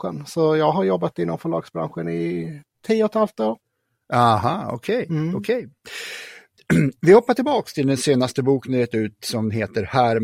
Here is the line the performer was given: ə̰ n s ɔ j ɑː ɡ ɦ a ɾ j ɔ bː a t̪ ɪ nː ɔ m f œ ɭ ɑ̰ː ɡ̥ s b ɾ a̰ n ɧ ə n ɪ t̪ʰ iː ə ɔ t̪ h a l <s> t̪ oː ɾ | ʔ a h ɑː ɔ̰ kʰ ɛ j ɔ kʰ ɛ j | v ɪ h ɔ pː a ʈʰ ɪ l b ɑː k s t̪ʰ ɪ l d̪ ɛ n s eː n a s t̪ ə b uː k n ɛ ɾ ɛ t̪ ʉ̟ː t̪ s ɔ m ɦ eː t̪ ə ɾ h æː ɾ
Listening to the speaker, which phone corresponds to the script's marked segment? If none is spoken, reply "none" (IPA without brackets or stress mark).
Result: f